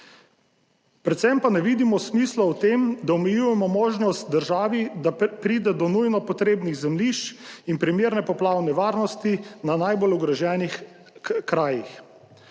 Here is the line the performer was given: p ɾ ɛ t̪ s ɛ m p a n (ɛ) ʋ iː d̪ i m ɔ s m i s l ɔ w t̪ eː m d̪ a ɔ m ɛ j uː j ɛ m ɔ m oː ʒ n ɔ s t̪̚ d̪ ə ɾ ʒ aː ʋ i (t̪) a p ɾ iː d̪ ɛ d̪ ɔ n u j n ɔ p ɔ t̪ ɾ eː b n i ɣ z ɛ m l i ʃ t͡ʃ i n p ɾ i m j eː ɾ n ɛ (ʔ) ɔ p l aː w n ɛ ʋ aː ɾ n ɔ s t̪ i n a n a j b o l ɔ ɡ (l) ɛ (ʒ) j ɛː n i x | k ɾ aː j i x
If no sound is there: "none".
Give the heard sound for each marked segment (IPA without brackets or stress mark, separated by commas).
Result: ɛ, d̪, p, ɾ, ʒ